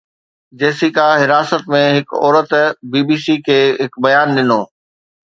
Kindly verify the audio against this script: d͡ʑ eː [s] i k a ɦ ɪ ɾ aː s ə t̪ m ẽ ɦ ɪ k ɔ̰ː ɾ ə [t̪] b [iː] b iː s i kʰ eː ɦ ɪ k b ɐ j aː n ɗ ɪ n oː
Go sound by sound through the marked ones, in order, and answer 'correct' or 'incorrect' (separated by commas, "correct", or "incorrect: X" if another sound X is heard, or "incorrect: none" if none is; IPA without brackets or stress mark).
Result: correct, correct, correct